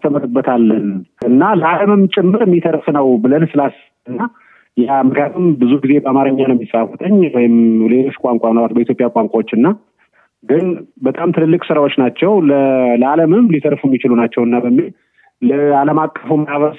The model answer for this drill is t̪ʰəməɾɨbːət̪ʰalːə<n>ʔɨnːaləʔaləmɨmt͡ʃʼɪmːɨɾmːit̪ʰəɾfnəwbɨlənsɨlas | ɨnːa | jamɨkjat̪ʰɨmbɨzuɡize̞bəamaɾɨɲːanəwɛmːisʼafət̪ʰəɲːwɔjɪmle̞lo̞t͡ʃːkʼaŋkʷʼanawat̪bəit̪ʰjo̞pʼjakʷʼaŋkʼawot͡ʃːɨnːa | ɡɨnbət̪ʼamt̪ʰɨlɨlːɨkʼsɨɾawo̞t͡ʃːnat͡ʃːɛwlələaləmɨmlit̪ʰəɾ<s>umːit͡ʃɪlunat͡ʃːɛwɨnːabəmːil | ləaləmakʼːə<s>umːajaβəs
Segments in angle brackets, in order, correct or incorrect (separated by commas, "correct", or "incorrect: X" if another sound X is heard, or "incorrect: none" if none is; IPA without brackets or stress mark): correct, incorrect: f, incorrect: f